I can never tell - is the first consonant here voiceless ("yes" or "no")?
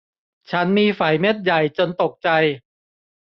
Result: yes